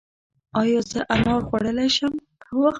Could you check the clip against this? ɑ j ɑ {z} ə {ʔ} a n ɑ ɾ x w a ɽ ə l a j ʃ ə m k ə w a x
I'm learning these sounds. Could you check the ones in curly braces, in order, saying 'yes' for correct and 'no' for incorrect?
yes, yes

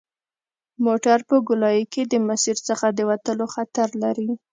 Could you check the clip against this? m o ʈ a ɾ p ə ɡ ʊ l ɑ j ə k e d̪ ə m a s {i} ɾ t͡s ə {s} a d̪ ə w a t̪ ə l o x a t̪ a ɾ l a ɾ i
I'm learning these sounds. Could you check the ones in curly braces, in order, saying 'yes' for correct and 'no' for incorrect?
yes, no

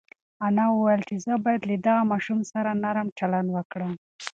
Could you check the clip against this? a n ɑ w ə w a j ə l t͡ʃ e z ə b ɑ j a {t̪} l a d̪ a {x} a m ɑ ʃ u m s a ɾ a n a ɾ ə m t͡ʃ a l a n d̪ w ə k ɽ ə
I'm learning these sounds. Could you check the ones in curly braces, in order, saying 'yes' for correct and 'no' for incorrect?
no, no

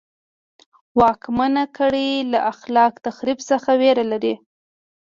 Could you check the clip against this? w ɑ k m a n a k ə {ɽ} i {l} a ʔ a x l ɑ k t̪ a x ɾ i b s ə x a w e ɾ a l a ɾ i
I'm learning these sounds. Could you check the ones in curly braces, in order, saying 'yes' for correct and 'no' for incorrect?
yes, yes

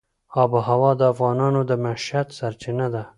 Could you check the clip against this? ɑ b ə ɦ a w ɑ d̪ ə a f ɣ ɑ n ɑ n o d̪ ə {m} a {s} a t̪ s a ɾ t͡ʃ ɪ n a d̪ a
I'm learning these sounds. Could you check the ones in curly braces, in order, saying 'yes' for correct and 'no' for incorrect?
yes, no

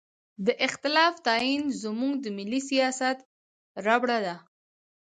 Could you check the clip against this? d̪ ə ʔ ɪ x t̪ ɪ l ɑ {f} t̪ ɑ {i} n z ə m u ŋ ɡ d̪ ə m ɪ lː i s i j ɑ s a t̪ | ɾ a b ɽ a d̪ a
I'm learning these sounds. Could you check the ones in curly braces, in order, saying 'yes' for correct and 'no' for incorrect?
yes, yes

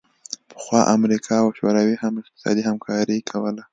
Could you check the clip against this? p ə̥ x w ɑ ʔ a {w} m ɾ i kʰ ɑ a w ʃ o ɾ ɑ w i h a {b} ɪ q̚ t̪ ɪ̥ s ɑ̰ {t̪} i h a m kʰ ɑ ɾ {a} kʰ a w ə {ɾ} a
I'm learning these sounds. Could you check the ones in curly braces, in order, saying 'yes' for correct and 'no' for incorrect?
no, no, no, no, no

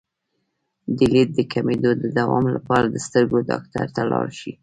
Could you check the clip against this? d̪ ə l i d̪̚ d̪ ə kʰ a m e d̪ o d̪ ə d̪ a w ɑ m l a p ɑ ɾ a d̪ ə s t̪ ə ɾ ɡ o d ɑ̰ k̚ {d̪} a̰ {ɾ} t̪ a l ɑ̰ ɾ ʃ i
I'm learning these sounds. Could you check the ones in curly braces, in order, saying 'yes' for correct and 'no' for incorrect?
no, yes

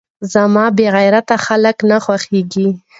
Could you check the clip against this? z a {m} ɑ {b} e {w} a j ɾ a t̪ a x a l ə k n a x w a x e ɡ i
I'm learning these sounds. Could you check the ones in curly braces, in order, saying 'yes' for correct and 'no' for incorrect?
yes, yes, no

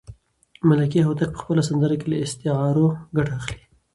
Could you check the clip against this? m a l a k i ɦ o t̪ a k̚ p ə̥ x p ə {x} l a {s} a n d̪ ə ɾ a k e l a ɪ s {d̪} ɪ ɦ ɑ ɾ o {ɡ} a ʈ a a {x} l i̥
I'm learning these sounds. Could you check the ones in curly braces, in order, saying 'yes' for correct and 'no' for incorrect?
no, yes, no, yes, yes

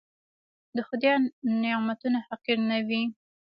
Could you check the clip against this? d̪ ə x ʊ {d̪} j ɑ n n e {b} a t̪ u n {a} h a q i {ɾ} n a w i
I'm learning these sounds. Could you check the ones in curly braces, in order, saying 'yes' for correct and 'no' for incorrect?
yes, no, yes, yes

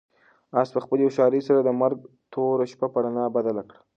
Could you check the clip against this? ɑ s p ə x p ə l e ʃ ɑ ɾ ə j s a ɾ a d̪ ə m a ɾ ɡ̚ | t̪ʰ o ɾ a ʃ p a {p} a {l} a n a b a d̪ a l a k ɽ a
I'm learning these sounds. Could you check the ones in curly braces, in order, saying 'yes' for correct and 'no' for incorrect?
yes, no

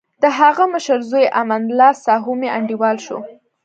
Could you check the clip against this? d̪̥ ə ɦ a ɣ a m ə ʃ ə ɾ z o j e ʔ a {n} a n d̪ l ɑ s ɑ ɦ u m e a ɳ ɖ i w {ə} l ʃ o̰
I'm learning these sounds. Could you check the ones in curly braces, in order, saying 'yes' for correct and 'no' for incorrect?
no, no

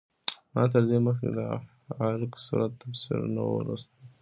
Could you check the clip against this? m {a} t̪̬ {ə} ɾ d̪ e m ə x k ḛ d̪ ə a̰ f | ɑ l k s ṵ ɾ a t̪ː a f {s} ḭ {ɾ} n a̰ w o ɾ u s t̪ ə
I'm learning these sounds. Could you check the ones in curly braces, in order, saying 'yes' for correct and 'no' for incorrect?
no, yes, yes, yes

